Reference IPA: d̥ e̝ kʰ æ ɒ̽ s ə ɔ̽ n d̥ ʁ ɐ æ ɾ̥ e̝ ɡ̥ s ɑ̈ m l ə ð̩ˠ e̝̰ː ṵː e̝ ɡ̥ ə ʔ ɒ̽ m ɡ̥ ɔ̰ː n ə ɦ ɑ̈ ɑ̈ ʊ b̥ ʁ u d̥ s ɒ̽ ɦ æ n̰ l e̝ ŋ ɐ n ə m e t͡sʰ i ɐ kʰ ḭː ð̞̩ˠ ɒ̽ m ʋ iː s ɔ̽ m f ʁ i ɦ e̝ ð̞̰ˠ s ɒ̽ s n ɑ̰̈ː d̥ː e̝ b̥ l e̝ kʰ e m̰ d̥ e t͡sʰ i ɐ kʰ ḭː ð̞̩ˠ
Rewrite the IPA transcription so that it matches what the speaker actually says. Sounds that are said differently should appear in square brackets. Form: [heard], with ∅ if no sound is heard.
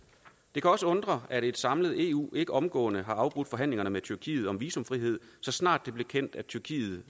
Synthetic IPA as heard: d̥ e̝ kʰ æ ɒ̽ s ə ɔ̽ n d̥ ʁ ɐ æ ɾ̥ e̝ [d̥] s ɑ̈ m l ə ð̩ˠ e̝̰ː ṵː e̝ ɡ̥ ə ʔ ɒ̽ m ɡ̥ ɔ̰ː n ə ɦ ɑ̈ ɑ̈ ʊ b̥ ʁ u d̥ [f] ɒ̽ ɦ æ n̰ l e̝ ŋ ɐ n ə m e t͡sʰ [y] ɐ kʰ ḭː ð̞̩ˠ ɒ̽ m ʋ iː s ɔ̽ m f ʁ i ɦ e̝ ð̞̰ˠ s ɒ̽ s n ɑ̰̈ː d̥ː e̝ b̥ l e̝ kʰ e [n̰] d̥ [æ] t͡sʰ [y] ɐ kʰ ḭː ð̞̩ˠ